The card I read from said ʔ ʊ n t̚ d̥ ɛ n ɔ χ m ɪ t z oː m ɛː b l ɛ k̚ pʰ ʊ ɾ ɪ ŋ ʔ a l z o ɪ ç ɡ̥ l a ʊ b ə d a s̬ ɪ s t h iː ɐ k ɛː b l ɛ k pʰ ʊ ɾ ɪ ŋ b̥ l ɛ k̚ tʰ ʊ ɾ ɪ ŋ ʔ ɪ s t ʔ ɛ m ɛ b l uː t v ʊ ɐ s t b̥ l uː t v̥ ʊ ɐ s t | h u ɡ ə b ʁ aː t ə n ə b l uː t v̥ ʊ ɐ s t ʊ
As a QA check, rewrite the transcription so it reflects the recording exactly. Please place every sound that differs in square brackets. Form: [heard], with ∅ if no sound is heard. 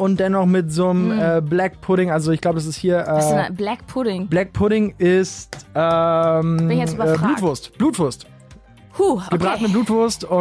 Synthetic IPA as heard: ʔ ʊ n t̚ d̥ ɛ n ɔ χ m ɪ t z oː m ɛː b l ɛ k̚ pʰ ʊ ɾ ɪ ŋ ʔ a l z o ɪ ç ɡ̥ l a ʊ b ə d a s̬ ɪ s t h iː ɐ [ʔ] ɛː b l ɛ k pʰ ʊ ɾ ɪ ŋ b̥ l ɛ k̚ [pʰ] ʊ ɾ ɪ ŋ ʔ ɪ s t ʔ ɛ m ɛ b l uː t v ʊ ɐ s t b̥ l uː t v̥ ʊ ɐ s t | h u ɡ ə b ʁ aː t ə n ə b l uː t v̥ ʊ ɐ s t ʊ